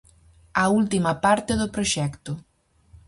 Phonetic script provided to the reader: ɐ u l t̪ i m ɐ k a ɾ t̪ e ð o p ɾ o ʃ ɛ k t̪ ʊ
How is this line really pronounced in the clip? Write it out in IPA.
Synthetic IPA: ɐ u l t̪ i m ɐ p a ɾ t̪ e ð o p ɾ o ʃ ɛ k t̪ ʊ

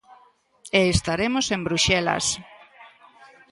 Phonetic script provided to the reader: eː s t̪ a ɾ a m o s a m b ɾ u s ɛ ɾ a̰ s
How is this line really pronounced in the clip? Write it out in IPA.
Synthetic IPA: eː s t̪ a ɾ e m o s e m b ɾ u ʃ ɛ l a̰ s

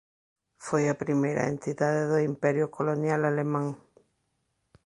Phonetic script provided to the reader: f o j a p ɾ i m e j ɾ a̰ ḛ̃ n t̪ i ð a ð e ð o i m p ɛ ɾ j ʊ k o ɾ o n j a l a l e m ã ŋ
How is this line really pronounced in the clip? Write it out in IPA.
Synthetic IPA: f o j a p ɾ i m e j ɾ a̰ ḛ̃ n t̪ i ð a ð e ð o i m p ɛ ɾ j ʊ k o l o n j a l a l e m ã ŋ

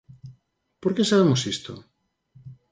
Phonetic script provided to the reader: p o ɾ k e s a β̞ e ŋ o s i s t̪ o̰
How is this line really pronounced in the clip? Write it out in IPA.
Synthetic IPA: p o ɾ k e s a β̞ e m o s i s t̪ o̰

